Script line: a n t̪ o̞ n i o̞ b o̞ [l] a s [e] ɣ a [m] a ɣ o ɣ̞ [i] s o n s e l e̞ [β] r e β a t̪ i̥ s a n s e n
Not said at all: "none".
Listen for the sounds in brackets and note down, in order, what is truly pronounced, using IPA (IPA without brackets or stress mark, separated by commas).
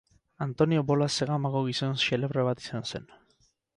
l, e, m, i, β